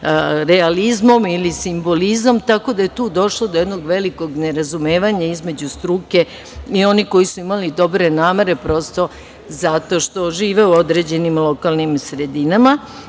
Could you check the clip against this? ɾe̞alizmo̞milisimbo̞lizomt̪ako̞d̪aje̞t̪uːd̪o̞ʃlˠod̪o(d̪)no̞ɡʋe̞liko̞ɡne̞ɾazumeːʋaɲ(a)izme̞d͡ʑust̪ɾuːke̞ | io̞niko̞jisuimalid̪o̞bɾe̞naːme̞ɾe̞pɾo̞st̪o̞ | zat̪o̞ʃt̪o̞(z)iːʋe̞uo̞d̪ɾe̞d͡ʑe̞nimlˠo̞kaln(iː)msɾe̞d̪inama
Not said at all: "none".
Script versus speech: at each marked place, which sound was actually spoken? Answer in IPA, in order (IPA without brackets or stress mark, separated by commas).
d̪, a, ʒ, i